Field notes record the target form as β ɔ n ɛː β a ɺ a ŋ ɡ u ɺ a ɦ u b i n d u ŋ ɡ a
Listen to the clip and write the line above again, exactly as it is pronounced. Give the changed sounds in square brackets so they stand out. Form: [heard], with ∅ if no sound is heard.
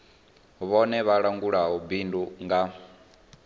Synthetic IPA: β ɔ n [ɛ] β a ɺ a ŋ ɡ u ɺ a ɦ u b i n d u ŋ ɡ a